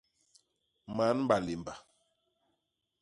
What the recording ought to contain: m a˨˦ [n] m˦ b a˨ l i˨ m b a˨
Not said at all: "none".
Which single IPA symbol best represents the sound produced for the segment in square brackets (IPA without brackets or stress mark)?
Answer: n